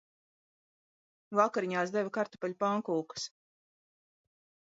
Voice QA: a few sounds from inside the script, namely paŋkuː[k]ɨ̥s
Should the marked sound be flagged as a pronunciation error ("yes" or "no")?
no